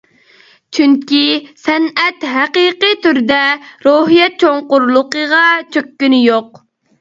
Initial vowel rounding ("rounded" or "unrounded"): rounded